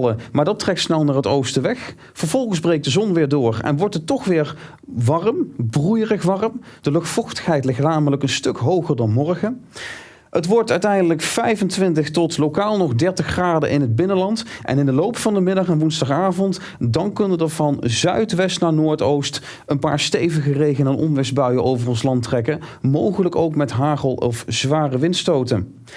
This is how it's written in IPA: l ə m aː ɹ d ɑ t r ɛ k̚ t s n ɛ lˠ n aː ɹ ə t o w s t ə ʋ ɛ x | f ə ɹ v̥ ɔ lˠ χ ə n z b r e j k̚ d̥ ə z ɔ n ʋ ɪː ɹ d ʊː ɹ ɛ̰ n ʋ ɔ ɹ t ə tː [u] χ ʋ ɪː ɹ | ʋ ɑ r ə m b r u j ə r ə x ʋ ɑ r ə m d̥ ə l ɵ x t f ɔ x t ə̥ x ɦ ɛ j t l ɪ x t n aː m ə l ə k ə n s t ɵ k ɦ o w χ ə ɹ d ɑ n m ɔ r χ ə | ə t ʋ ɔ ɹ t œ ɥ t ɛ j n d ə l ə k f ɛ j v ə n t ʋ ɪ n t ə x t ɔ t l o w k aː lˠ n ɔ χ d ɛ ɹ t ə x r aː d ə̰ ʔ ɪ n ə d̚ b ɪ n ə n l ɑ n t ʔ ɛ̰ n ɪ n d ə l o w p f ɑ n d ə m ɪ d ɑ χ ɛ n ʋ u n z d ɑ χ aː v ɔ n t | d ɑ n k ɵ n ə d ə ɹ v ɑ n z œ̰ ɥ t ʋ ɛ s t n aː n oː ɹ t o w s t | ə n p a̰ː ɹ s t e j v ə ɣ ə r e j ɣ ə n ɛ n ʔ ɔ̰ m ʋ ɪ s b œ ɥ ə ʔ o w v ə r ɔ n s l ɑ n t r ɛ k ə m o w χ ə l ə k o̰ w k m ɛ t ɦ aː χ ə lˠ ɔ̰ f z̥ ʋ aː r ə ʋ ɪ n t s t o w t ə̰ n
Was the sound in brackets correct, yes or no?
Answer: no